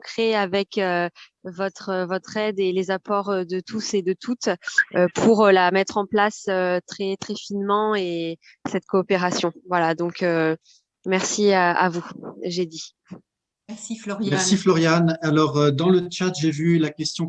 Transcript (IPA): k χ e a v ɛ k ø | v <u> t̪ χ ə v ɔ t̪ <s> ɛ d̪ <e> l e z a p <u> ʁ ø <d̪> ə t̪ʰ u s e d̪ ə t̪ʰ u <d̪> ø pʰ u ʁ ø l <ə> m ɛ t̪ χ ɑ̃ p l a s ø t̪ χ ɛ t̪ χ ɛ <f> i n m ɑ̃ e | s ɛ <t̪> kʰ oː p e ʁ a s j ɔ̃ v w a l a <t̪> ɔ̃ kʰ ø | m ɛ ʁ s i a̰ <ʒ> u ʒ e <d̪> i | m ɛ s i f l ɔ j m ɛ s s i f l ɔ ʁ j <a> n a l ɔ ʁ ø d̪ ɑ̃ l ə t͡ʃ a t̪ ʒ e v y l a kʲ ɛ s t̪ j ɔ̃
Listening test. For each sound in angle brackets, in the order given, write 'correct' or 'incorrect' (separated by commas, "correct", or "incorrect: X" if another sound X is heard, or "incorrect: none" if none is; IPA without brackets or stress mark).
incorrect: ɔ, incorrect: χ, correct, incorrect: ɔ, correct, incorrect: t̪, incorrect: a, correct, correct, incorrect: d̪, incorrect: v, correct, correct